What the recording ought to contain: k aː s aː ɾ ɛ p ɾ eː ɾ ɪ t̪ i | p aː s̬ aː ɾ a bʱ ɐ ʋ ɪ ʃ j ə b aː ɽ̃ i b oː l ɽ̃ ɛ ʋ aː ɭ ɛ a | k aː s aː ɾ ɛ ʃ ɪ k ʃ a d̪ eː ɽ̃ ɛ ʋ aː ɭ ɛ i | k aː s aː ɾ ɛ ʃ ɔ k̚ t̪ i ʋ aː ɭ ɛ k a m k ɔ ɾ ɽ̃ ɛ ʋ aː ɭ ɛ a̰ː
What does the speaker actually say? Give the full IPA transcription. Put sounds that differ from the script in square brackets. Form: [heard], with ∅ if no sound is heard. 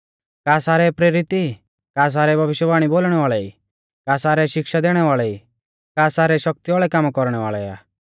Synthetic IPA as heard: k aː s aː ɾ ɛ p ɾ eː ɾ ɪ t̪ i | [k] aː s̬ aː ɾ [ɛ] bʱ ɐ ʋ ɪ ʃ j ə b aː ɽ̃ i b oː l ɽ̃ ɛ ʋ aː ɭ ɛ [i] | k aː s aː ɾ ɛ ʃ ɪ k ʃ a d̪ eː ɽ̃ ɛ ʋ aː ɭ ɛ i | k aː s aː ɾ ɛ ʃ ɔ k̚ t̪ i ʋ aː ɭ ɛ k a m k ɔ ɾ ɽ̃ ɛ ʋ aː ɭ ɛ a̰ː

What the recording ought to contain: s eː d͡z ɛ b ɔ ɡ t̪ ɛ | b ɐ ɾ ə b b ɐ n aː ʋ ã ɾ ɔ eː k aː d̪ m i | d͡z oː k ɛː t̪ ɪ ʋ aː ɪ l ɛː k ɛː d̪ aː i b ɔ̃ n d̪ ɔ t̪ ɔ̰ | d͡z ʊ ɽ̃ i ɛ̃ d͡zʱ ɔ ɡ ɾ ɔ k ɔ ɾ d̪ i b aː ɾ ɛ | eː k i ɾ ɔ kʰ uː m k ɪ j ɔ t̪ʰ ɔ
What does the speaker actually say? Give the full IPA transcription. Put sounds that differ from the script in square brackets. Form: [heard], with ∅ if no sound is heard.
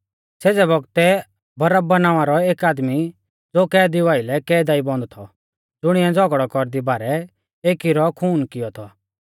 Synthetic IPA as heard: s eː d͡z ɛ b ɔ ɡ t̪ ɛ | b ɐ ɾ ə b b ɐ n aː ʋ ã ɾ ɔ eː k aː d̪ m i | d͡z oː k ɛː [d̪] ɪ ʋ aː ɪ l [ɛ] k ɛː d̪ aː i b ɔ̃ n d̪ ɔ [t̪ʰ] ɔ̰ | d͡z ʊ ɽ̃ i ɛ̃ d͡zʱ ɔ ɡ [ɽ] ɔ k ɔ ɾ d̪ i b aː ɾ ɛ | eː k i ɾ ɔ kʰ uː [n] k ɪ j ɔ t̪ʰ ɔ

